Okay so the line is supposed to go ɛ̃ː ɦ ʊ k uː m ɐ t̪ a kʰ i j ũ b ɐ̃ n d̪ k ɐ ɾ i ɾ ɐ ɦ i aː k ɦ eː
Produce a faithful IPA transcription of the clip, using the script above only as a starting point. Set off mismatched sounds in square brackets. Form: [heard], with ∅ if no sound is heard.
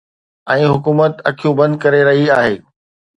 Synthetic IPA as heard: ɛ̃ː ɦ ʊ k uː m [ə] t̪ [ɐ] kʰ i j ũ b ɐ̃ n d̪ k ɐ ɾ [e] ɾ ɐ ɦ i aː [∅] ɦ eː

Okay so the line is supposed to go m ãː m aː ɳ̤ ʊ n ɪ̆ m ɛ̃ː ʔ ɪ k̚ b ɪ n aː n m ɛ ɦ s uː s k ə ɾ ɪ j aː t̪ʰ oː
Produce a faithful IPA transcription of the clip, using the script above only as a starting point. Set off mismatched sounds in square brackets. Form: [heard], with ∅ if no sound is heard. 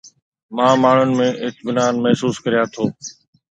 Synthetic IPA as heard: m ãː m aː ɳ̤ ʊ n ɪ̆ m [ẽː] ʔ ɪ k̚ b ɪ n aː n m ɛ ɦ s uː s k ə ɾ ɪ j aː t̪ʰ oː

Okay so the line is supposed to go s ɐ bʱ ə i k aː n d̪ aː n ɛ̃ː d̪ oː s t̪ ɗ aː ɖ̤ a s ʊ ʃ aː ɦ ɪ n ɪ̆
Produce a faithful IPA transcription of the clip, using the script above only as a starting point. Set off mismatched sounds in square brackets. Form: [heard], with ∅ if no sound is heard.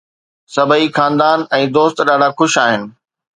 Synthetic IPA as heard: s ɐ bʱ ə i [x] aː n d̪ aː n ɛ̃ː d̪ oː s t̪ ɗ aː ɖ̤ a [x] ʊ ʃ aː ɦ ɪ n ɪ̆

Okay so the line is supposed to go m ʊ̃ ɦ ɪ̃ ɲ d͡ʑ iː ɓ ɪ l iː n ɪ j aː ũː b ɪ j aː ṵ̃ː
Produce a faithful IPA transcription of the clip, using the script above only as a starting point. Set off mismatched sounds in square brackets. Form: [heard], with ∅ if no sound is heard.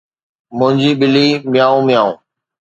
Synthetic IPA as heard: m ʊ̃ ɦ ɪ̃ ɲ d͡ʑ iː ɓ ɪ l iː [m] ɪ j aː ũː [m] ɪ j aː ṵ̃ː

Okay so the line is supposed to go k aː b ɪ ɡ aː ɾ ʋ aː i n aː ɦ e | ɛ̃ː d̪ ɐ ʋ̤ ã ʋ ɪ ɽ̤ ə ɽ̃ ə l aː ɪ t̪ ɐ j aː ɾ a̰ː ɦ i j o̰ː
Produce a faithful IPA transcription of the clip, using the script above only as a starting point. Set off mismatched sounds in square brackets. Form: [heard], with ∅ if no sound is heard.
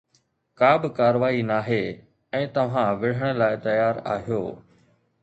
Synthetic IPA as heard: k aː b ɪ [k] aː ɾ ʋ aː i n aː ɦ e | ɛ̃ː [t̪] ɐ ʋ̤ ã ʋ ɪ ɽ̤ ə ɽ̃ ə l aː ɪ t̪ ɐ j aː ɾ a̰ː ɦ i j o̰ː

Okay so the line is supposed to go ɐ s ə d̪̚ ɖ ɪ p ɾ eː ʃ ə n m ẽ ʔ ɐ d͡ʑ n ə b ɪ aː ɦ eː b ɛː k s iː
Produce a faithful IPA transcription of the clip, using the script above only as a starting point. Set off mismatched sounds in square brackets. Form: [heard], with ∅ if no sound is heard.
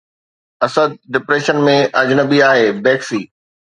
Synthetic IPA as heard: ɐ s ə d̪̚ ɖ ɪ p ɾ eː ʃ ə n m ẽ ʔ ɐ d͡ʑ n ə b [i] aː ɦ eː b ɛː k s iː

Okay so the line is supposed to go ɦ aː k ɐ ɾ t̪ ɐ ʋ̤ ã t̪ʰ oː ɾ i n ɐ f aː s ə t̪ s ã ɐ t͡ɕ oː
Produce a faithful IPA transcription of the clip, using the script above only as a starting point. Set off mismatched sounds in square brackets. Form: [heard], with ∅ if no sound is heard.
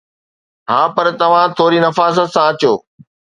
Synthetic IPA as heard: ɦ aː [p] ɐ ɾ t̪ ɐ ʋ̤ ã t̪ʰ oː ɾ i n ɐ f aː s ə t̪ s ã ɐ t͡ɕ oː

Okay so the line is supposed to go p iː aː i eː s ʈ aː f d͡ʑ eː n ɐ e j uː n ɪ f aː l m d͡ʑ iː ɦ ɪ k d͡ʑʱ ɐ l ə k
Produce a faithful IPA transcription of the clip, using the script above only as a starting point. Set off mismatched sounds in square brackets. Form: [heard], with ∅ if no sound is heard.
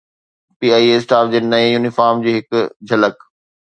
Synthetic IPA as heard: p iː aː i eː s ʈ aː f d͡ʑ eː n ɐ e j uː n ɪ f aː [ɾ] m d͡ʑ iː ɦ ɪ k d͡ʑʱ ɐ l ə k

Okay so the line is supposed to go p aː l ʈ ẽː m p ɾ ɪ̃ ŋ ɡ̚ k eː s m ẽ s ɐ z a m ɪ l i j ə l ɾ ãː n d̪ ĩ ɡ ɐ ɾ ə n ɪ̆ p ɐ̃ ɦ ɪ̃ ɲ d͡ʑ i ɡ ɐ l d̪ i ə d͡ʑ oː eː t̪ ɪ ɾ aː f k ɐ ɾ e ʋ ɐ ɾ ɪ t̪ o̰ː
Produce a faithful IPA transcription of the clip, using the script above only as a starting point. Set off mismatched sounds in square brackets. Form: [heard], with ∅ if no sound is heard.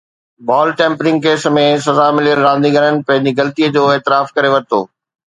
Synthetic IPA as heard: [b] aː l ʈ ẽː m p ɾ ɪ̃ ŋ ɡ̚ k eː s m ẽ s ɐ z a m ɪ l i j ə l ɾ ãː n d̪ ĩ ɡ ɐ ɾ ə n ɪ̆ p ɐ̃ ɦ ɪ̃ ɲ d͡ʑ i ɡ ɐ l [t̪] i ə d͡ʑ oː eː t̪ ɪ ɾ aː f k ɐ ɾ e ʋ ɐ ɾ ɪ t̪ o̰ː

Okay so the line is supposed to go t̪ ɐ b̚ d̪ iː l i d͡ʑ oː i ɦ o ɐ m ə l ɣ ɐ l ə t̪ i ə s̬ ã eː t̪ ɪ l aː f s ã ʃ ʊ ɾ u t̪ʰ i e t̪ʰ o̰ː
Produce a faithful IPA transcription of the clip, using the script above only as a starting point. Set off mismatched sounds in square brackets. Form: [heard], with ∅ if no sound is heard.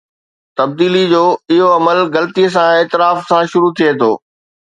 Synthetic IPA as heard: t̪ ɐ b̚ d̪ iː l i d͡ʑ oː [ɪ] ɦ o ɐ m ə l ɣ ɐ l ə t̪ i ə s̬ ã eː t̪ ɪ [ɾ] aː f s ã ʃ ʊ ɾ u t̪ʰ i e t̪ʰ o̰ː

